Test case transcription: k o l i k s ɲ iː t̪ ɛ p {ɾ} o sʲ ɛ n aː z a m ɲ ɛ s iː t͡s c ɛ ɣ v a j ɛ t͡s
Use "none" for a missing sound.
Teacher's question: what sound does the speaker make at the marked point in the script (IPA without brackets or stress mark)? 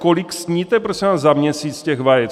ɾ